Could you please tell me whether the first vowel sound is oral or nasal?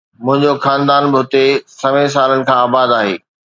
nasal